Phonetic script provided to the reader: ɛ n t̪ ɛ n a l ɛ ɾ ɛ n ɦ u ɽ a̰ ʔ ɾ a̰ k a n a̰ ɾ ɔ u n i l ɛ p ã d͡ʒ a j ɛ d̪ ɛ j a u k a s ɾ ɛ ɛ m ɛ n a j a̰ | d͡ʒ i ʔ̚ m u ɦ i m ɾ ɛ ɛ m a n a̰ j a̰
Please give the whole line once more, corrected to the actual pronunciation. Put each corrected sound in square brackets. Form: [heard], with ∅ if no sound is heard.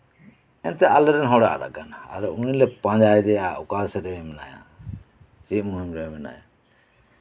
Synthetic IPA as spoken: ɛ n t̪ ɛ [∅] a l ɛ ɾ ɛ n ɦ [ɔ] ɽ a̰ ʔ ɾ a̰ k a n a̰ ɾ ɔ u n i l ɛ p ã d͡ʒ a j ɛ d̪ ɛ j a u k a s ɾ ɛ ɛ m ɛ n a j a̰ | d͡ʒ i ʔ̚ m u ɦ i m ɾ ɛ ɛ m [ɛ] n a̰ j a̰